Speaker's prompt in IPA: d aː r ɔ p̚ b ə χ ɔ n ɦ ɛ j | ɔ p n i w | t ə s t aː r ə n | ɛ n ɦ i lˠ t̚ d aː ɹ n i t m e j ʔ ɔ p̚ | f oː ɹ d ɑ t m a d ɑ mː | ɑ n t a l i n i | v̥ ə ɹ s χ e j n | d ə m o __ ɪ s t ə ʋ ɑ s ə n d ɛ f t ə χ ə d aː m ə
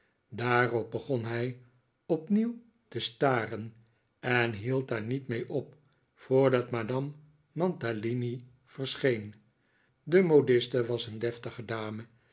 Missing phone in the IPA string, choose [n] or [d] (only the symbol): d